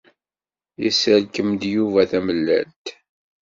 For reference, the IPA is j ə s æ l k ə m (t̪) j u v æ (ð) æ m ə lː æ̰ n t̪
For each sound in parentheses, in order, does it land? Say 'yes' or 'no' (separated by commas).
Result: no, no